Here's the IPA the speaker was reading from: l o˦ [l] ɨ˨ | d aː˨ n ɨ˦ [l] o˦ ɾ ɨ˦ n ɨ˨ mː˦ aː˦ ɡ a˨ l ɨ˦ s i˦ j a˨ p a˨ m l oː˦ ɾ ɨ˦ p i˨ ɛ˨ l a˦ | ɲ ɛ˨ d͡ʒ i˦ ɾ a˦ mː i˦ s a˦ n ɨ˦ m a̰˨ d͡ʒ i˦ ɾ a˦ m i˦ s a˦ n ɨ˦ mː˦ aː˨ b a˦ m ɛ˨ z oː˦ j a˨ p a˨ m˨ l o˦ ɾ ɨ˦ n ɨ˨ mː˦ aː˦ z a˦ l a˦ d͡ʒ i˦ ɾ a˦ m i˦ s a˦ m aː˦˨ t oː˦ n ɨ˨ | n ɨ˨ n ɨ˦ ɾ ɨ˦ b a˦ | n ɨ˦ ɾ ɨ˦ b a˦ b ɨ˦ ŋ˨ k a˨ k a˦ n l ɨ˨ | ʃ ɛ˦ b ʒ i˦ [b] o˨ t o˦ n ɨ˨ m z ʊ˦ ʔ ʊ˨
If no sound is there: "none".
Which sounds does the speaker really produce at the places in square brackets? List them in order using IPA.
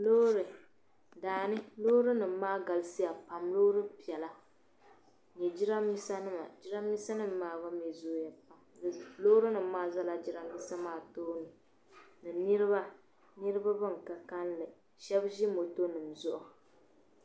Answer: ɾ, l, m

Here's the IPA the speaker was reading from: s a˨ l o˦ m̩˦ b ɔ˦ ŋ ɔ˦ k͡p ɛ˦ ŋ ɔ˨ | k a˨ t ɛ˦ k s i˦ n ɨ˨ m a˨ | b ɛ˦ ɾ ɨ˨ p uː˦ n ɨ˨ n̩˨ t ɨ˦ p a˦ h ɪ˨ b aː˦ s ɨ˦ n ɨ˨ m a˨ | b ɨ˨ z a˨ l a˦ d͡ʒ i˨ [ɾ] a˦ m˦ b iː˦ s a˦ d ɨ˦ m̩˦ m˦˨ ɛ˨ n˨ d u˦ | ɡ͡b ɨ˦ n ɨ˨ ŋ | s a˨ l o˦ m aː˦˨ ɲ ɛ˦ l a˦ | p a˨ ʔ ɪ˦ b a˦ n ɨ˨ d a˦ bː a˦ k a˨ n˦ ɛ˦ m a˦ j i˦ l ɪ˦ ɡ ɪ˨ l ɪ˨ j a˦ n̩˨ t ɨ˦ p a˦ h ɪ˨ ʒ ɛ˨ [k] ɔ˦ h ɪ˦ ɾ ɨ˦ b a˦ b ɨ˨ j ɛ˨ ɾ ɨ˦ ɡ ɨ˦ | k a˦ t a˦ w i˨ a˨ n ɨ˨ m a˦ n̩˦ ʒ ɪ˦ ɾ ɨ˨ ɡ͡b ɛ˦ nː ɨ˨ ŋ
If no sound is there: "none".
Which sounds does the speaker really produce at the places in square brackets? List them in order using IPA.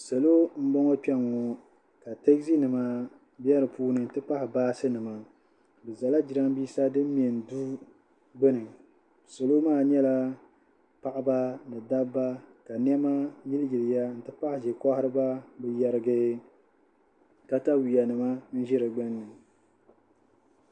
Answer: ɾ, k

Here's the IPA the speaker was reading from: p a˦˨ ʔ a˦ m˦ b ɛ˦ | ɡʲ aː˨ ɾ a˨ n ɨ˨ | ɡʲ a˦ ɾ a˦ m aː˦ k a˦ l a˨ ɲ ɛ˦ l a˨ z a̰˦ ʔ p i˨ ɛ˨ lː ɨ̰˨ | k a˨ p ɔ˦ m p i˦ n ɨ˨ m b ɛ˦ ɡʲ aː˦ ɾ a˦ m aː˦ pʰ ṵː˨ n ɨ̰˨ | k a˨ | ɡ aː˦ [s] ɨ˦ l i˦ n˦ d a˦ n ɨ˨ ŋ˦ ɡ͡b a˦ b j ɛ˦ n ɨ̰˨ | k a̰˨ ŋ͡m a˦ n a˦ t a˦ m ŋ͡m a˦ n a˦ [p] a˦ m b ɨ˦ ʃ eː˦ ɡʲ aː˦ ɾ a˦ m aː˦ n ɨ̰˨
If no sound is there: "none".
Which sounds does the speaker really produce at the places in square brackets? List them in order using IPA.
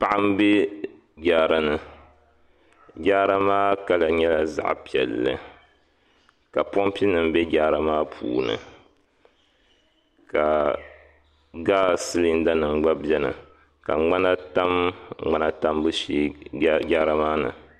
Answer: s, t

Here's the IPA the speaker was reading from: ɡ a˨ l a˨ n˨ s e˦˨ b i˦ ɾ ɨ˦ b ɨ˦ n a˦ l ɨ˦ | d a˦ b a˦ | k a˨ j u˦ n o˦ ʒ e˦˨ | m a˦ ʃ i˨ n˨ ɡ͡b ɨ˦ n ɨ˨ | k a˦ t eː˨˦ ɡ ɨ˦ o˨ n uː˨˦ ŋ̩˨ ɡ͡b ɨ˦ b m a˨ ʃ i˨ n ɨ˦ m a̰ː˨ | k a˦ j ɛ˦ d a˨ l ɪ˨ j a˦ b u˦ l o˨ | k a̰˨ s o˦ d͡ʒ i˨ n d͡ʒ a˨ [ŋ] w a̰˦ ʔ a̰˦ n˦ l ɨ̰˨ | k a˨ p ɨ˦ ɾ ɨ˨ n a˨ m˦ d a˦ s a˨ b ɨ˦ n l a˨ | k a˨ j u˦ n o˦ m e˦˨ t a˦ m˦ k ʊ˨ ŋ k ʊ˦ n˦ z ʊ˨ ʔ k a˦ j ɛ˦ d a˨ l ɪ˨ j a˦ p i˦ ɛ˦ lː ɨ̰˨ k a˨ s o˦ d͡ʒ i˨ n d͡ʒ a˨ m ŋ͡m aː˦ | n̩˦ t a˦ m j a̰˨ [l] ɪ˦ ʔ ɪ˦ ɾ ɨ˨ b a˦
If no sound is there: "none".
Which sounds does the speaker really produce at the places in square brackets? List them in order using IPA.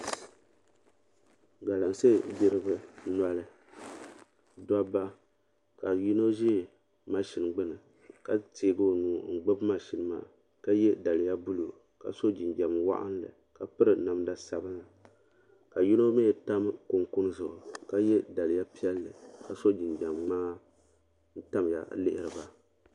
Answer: m, l

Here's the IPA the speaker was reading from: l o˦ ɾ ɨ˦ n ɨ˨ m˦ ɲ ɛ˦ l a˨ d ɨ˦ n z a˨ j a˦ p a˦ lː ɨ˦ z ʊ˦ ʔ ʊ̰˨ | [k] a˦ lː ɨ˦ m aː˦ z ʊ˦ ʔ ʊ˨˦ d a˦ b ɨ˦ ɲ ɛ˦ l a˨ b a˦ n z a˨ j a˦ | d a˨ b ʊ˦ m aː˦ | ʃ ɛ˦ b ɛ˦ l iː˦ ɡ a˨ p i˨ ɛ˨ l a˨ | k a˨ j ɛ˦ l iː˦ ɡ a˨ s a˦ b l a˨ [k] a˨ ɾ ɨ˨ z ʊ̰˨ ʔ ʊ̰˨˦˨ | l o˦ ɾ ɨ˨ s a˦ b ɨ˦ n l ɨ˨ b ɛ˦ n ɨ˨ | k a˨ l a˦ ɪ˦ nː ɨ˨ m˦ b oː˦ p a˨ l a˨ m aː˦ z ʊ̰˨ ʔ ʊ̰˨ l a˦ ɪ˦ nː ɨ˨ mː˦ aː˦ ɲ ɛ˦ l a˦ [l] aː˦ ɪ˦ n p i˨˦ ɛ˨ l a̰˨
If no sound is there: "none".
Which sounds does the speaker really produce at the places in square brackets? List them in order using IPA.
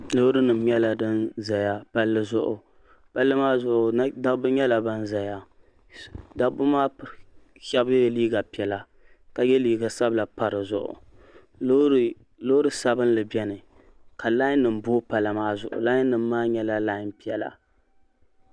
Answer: p, p, l

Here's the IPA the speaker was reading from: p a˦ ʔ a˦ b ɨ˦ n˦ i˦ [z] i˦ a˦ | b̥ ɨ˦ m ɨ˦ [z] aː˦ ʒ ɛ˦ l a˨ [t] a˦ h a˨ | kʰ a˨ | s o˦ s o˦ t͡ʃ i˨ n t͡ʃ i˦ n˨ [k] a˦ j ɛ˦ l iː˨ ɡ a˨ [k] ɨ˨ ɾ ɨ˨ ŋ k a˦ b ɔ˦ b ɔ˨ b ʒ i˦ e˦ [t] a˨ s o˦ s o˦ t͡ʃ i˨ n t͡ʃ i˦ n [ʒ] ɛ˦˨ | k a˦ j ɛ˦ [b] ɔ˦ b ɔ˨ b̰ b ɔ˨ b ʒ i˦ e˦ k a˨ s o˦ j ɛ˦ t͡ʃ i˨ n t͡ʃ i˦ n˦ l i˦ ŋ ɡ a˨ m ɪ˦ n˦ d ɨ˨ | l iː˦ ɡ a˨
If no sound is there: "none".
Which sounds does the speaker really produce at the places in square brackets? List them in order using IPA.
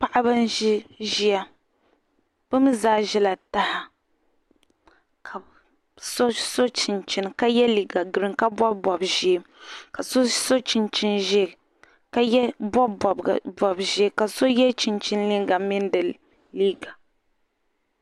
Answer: ʒ, z, t, k, ɡ, k, ʒ, b

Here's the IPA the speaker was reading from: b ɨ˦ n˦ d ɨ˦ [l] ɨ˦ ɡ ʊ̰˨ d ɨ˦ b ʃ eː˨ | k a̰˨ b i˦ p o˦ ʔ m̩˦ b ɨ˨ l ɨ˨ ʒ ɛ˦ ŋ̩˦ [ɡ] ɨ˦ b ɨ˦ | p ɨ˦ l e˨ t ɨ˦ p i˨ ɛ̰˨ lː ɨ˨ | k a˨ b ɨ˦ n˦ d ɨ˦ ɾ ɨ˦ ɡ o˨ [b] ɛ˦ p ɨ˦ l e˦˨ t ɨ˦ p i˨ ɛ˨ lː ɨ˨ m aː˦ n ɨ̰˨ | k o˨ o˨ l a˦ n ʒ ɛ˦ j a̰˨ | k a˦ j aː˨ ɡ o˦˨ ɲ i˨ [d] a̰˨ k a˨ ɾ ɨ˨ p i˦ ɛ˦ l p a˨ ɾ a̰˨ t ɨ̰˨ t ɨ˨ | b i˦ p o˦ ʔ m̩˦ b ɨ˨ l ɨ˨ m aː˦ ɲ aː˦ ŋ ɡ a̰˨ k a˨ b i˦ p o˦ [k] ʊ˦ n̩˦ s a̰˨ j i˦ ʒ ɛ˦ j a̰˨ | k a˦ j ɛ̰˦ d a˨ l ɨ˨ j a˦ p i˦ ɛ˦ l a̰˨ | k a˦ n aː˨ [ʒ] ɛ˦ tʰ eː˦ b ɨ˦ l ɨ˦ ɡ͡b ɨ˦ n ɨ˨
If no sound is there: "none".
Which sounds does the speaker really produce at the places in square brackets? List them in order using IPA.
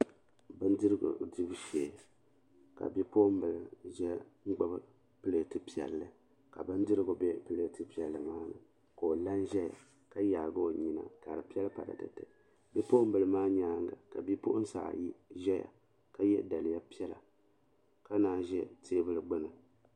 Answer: ɾ, ɡ͡b, b, n, ʔ, ʒ

